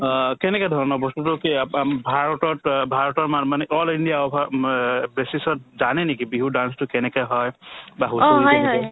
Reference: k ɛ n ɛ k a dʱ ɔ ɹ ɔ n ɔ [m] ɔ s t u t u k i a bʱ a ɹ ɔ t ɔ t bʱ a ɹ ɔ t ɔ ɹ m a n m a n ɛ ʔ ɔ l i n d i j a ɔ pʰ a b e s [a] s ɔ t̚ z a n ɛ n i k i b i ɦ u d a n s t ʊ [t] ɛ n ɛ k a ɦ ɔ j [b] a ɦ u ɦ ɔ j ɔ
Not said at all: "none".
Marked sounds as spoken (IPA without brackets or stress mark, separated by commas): b, i, k, b